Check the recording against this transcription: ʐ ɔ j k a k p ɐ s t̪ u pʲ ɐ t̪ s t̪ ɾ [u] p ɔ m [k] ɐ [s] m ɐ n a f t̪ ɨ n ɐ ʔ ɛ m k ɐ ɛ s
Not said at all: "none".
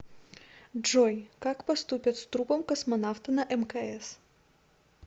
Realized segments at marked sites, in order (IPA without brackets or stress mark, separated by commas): u, k, s